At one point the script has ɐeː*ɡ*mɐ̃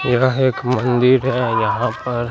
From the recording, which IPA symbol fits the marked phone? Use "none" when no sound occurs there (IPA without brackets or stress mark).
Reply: k